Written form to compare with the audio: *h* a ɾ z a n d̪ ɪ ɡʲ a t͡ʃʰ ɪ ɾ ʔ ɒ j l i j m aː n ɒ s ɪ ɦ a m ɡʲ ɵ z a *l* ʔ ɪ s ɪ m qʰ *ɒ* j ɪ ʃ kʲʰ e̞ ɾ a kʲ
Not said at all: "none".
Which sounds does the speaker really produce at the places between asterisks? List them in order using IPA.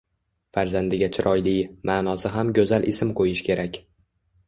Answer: f, l, o

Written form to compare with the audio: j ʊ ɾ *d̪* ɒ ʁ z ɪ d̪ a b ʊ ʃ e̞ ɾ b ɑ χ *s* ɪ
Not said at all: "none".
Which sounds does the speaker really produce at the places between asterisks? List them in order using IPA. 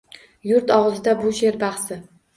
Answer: t̪, s

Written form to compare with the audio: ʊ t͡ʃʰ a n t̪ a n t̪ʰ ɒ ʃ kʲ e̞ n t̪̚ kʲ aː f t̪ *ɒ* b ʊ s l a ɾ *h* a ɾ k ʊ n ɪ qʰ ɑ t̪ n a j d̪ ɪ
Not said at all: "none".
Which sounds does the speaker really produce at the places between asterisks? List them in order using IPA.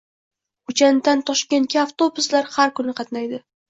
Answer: o, h

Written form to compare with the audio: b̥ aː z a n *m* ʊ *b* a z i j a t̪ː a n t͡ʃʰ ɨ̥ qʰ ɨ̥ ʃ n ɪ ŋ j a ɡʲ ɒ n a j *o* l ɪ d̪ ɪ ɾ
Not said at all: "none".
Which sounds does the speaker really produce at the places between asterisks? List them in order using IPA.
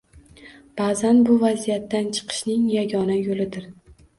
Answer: b, v, o

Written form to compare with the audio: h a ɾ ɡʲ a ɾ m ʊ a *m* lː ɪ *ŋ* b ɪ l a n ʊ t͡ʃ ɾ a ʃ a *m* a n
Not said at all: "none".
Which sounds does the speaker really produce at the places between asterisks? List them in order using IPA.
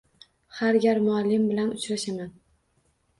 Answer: none, m, m

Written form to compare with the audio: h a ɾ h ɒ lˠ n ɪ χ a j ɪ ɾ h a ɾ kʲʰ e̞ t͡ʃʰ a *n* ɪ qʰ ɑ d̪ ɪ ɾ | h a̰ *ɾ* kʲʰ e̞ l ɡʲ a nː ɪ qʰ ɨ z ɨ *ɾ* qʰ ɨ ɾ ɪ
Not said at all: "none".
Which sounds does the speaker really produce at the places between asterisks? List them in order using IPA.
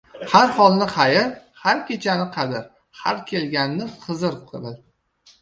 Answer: n, ɾ, ɾ

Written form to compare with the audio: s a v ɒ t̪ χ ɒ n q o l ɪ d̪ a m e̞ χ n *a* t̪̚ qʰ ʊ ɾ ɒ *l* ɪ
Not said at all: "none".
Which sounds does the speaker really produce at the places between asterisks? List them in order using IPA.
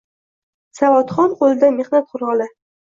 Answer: a, l

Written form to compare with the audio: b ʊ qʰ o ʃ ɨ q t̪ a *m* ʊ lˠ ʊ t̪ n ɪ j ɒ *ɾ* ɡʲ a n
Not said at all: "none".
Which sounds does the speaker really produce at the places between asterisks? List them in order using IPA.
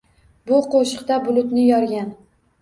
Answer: b, ɾ

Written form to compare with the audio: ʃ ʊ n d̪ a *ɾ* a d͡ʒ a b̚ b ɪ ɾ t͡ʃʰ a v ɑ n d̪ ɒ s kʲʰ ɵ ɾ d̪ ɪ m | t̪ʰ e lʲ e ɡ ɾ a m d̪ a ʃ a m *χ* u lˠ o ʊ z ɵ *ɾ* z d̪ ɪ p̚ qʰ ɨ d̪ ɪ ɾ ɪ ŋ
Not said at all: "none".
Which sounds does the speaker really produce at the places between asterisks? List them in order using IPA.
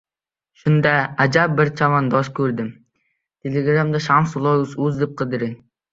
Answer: none, s, none

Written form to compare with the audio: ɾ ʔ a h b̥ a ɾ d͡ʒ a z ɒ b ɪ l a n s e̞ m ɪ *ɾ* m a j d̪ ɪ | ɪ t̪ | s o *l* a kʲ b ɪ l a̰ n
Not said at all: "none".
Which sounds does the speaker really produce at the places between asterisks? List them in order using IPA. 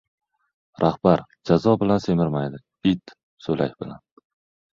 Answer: ɾ, l

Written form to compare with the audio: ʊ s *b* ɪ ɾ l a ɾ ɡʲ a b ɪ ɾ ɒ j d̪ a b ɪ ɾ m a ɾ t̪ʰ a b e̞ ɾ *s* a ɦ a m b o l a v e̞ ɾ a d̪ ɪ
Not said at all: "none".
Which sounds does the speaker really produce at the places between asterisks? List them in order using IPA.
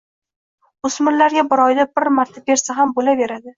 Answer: m, s

